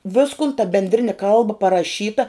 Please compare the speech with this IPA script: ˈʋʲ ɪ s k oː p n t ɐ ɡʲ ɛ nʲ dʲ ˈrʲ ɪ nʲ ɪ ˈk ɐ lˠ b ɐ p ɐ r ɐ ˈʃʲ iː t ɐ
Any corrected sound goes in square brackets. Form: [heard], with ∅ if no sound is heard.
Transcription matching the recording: ˈʋʲ ɪ s k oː [∅] n t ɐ [bʲ] ɛ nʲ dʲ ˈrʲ ɪ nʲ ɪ ˈk ɐ lˠ b ɐ p ɐ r ɐ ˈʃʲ iː t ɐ